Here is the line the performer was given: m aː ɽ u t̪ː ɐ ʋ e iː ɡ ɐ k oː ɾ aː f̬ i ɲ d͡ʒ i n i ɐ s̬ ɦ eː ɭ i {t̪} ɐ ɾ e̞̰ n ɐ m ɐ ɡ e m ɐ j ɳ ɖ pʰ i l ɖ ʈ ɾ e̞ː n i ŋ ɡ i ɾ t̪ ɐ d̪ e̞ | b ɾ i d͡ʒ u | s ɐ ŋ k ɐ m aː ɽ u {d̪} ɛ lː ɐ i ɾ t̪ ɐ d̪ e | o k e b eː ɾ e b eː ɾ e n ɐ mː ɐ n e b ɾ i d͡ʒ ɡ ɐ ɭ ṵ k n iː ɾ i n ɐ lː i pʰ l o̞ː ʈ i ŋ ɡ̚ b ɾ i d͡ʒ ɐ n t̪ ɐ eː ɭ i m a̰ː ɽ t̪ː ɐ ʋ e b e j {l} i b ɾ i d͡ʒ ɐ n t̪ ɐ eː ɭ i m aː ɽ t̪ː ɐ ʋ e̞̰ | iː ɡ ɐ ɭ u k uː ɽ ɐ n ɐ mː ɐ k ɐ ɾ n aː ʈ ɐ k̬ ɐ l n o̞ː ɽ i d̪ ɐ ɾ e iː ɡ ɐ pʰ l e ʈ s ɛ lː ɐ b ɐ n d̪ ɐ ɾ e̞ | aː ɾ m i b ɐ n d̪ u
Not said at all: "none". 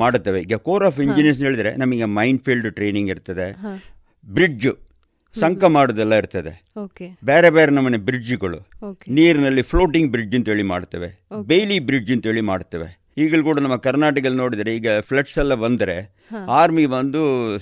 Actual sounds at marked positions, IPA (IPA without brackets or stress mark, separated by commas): d̪, d̪, l